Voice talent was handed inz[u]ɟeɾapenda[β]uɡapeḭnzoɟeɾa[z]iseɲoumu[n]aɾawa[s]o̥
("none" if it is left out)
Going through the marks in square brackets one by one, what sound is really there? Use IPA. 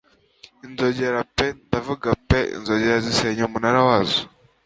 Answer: o, v, z, n, z

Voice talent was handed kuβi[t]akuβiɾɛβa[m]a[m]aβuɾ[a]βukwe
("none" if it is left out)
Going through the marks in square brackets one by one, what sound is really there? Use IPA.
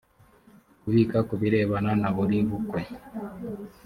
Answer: k, n, n, i

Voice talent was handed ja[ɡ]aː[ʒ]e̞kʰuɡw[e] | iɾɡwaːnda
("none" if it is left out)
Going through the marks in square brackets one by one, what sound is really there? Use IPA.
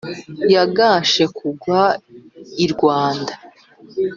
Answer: ɡ, ʃ, a

